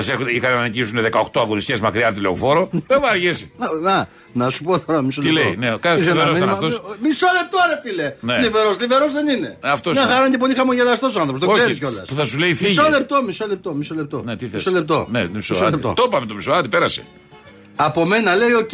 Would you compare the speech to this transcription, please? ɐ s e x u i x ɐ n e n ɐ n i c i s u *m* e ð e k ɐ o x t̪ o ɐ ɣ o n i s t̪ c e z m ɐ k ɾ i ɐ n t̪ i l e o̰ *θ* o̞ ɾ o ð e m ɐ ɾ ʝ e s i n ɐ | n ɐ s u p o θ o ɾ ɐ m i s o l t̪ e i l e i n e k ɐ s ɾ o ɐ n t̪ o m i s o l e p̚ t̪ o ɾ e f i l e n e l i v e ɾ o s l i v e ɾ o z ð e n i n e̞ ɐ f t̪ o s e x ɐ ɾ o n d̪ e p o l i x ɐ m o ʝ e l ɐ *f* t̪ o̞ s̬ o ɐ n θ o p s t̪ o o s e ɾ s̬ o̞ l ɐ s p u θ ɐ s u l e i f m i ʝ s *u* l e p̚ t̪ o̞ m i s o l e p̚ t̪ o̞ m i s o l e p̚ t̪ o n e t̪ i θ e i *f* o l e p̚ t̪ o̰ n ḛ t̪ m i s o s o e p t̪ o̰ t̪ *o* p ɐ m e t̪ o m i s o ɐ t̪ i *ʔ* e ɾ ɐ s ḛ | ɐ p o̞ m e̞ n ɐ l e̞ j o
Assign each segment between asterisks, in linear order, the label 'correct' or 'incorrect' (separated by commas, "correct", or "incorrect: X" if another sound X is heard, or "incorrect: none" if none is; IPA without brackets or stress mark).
incorrect: n, incorrect: f, incorrect: s, incorrect: o, incorrect: s, correct, incorrect: p